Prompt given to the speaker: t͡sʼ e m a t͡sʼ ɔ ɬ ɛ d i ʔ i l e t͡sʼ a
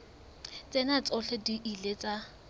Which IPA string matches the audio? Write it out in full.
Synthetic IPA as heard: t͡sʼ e n a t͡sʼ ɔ ɬ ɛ d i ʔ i l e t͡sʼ a